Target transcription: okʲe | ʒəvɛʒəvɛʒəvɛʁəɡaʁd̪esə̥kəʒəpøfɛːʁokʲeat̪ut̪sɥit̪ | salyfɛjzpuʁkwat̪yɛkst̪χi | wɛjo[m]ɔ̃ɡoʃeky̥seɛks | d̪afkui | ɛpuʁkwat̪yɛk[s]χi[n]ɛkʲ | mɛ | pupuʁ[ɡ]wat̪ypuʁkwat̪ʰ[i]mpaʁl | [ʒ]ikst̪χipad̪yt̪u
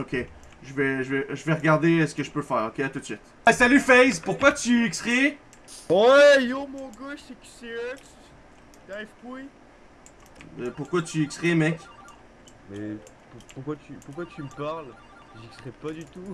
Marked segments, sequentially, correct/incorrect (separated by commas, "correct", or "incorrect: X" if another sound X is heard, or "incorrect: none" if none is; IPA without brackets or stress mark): correct, correct, incorrect: m, incorrect: k, incorrect: y, correct